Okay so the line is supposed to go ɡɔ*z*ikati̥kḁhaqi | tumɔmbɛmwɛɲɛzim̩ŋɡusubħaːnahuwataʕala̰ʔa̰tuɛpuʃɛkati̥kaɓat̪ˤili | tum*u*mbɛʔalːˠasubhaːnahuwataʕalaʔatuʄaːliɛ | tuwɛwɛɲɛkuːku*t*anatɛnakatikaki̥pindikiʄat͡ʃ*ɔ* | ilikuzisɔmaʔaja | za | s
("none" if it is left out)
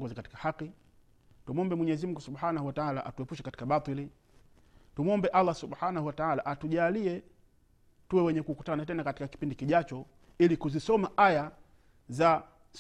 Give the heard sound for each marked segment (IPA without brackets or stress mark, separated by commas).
z, ɔ, t, ɔ